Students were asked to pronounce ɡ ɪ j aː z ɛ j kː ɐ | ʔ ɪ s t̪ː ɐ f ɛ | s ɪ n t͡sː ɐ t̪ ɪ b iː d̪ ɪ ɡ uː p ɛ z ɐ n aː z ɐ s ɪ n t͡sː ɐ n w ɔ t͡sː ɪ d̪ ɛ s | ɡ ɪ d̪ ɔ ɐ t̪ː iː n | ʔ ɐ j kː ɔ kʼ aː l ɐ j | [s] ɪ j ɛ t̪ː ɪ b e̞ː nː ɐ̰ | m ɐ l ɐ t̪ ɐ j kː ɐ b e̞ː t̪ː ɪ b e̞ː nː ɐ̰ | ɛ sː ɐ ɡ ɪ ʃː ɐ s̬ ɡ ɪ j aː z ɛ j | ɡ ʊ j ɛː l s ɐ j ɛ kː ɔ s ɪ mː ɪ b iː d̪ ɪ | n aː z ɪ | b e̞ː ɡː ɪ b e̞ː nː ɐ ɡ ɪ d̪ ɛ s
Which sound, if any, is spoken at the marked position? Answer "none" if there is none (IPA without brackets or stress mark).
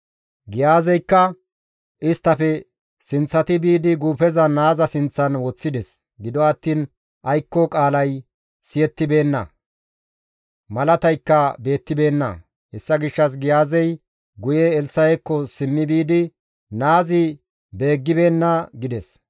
s